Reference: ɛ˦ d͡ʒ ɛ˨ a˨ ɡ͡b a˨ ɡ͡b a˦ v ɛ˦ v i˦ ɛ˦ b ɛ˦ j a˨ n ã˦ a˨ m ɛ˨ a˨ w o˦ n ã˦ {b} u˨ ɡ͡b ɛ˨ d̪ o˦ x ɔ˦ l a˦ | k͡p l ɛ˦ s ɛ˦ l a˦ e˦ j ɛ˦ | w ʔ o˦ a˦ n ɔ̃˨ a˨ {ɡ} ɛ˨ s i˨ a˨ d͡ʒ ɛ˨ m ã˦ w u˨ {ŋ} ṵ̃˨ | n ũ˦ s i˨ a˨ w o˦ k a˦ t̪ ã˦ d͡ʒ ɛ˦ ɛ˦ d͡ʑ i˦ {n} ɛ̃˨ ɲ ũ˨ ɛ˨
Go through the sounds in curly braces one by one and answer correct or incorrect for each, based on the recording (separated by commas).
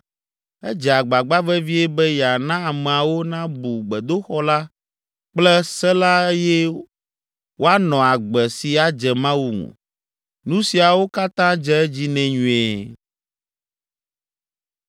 correct, incorrect, correct, correct